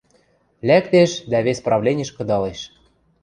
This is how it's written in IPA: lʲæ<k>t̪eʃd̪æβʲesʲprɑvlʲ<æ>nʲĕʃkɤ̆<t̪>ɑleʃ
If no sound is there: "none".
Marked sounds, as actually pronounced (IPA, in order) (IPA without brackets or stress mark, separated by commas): k, e, d̪